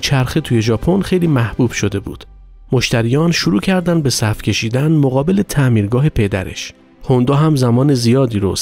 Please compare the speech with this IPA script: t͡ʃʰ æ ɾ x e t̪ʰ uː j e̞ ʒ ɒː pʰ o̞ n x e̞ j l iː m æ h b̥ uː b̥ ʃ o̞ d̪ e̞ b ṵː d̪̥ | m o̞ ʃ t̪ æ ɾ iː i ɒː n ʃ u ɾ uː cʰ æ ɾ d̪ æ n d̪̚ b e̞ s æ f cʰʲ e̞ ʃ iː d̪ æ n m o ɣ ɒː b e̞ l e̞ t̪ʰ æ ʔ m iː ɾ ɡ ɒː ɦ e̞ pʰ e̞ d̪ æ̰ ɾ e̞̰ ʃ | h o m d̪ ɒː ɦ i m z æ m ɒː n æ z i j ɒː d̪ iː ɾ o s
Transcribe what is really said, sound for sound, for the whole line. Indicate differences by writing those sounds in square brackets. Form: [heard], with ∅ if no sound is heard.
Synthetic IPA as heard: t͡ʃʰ æ ɾ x e t̪ʰ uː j e̞ ʒ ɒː pʰ o̞ n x e̞ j l iː m æ h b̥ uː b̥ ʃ o̞ d̪ e̞ b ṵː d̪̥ | m o̞ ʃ t̪ æ ɾ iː [j] ɒː n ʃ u ɾ uː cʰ æ ɾ d̪ æ n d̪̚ b e̞ s æ f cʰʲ e̞ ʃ iː d̪ æ n m o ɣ ɒː b e̞ l e̞ t̪ʰ æ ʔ m iː ɾ ɡ ɒː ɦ e̞ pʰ e̞ d̪ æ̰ ɾ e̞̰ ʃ | h o [n] d̪ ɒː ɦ [æ] m z æ m ɒː n [e] z i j ɒː d̪ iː ɾ o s